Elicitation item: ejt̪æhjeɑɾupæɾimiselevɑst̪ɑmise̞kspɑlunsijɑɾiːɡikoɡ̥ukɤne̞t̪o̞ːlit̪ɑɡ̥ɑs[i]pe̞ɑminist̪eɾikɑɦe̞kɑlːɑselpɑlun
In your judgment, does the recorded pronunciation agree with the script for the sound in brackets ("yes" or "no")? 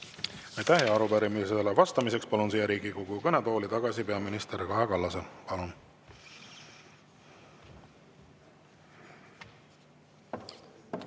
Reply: yes